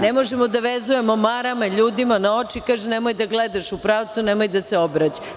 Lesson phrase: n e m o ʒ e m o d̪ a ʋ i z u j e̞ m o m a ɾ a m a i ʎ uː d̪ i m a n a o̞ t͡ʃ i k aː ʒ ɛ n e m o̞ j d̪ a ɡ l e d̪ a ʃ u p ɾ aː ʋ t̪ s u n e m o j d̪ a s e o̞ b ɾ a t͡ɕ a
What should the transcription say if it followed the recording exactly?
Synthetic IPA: n e m o ʒ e m o d̪ a ʋ e z u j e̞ m o m a ɾ a m a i ʎ uː d̪ i m a n a o̞ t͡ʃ i k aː ʒ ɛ n e m o̞ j d̪ a ɡ l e d̪ a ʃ u p ɾ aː ʋ t̪ s u n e m o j d̪ a s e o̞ b ɾ a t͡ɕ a